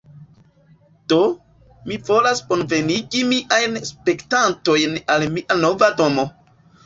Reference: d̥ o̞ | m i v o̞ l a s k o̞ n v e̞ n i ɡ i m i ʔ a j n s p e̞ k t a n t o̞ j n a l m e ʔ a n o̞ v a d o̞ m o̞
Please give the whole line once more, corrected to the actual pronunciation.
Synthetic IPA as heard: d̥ o̞ | m i v o̞ l a s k o̞ n v e̞ n i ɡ i m i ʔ a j n s p e̞ k t a n t o̞ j n a l m i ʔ a n o̞ v a d o̞ m o̞